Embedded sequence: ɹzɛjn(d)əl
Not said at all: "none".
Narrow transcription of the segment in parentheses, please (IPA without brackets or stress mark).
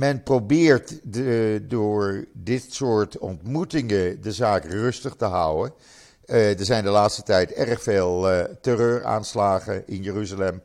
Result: d